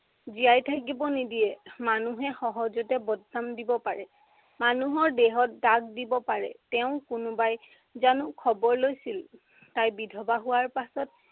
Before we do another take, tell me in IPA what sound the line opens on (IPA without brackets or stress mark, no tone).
z